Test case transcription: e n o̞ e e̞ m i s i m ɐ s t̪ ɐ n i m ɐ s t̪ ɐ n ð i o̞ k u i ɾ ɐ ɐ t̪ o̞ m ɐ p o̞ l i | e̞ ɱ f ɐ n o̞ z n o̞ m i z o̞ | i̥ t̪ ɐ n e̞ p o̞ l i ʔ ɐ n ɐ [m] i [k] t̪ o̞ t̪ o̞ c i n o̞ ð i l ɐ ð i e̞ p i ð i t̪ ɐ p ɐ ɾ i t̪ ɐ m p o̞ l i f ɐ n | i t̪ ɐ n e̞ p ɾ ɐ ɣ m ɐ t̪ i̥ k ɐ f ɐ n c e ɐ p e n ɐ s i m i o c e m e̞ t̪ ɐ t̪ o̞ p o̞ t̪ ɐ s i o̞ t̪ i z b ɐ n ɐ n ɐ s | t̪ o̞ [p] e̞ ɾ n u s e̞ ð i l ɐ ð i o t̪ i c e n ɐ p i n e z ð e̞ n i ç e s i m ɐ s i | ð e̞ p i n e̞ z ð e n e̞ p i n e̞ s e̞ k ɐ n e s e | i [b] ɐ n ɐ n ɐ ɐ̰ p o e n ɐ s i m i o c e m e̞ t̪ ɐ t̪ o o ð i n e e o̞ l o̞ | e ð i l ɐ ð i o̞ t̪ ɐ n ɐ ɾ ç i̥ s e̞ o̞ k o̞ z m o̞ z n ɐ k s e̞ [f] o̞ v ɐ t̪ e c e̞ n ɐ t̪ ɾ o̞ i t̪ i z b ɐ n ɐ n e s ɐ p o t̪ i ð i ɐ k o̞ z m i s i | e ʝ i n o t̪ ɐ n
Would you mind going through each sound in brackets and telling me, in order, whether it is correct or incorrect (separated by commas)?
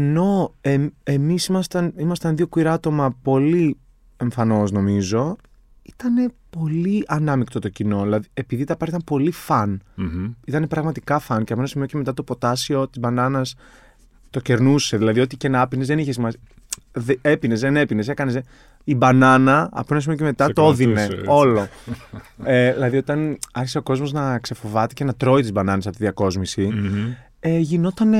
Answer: correct, correct, incorrect, correct, correct